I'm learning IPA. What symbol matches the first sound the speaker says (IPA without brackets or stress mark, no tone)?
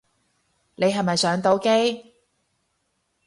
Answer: n